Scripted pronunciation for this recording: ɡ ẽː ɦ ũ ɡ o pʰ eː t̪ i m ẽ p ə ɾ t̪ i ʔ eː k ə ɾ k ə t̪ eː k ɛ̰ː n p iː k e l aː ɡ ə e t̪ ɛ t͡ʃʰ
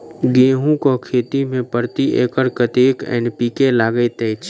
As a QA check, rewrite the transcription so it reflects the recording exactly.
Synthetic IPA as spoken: ɡ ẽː ɦ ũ k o kʰ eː t̪ i m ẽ p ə ɾ t̪ i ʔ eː k ə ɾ k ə t̪ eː k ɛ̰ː n p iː k e l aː ɡ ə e t̪ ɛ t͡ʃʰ